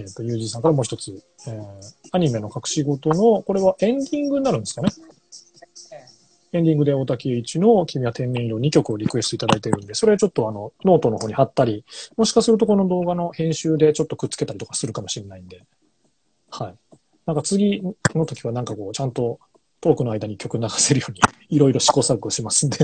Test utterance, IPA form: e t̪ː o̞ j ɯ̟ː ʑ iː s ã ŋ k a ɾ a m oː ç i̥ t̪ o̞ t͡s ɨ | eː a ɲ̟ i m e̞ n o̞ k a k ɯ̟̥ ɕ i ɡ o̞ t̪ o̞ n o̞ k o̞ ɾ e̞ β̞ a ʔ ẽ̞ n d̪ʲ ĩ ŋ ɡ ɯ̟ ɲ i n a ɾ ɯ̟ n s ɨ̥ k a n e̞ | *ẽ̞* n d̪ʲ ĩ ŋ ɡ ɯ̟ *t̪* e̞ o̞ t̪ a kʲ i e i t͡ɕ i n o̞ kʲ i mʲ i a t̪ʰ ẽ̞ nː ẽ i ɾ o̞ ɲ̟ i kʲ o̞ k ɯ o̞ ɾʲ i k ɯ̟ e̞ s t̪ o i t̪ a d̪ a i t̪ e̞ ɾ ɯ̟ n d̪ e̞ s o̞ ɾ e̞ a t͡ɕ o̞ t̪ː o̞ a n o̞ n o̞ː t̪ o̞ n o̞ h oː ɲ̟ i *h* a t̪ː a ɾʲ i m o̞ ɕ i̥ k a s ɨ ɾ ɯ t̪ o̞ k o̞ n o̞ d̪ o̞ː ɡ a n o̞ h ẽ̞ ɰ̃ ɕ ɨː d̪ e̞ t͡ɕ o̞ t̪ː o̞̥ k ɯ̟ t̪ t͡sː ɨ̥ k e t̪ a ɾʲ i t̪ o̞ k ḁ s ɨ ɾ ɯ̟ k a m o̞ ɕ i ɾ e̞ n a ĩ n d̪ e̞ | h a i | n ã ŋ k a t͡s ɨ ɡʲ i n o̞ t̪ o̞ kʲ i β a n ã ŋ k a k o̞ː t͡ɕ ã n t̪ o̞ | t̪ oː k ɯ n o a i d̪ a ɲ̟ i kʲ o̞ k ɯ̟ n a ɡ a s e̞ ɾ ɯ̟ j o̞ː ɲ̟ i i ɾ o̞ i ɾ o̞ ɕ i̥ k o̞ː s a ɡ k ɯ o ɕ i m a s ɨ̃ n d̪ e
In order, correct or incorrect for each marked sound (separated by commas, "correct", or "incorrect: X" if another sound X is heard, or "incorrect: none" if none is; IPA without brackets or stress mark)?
correct, incorrect: d̪, correct